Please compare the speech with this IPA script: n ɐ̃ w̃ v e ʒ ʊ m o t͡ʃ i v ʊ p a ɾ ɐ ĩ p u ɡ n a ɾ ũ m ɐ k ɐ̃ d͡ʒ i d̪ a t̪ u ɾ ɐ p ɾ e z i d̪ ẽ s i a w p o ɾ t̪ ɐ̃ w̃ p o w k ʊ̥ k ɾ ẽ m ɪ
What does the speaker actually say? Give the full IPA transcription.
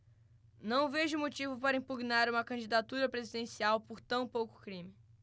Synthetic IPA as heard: n ɐ̃ w̃ v e ʒ ʊ m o t͡ʃ i v ʊ p a ɾ ɐ ĩ p u ɡ n a ɾ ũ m ɐ k ɐ̃ d͡ʒ i d̪ a t̪ u ɾ ɐ p ɾ e z i d̪ ẽ s i a w p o ɾ t̪ ɐ̃ w̃ p o w k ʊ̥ k ɾ ĩ m ɪ